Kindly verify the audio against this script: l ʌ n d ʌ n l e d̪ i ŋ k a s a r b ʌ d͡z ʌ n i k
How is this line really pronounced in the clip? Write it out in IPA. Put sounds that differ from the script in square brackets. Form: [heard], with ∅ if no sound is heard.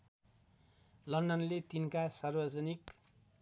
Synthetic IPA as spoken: l ʌ n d ʌ n l e [t̪] i [n] k a s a r b ʌ d͡z ʌ n i k